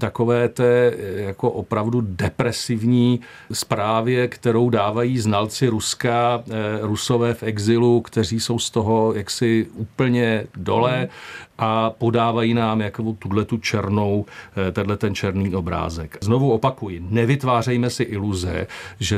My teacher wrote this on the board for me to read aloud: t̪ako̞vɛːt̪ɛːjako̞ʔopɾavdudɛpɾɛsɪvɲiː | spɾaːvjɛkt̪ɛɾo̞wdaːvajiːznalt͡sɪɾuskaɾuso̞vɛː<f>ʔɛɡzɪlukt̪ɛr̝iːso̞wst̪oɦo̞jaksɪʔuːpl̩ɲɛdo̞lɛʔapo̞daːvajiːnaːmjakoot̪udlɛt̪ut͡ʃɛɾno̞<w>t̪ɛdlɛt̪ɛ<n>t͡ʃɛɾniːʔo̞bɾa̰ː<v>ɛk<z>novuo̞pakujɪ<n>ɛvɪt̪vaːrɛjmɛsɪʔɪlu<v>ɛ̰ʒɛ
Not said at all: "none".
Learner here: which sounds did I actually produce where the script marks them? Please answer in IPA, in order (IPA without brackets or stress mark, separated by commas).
f, w, n, z, z, n, z